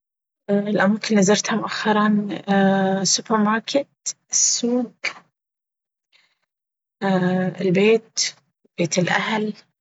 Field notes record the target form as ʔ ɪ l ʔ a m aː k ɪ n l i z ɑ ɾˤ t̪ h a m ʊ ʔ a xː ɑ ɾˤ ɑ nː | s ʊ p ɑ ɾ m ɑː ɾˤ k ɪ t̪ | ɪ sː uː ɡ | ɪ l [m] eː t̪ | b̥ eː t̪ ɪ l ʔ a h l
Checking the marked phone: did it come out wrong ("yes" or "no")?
yes